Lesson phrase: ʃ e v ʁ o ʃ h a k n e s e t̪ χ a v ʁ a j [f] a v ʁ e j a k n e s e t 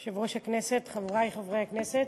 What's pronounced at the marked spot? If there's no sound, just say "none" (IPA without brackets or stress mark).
χ